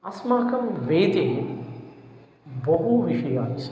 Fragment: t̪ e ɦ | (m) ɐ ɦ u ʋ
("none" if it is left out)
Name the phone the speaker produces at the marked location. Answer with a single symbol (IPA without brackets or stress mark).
b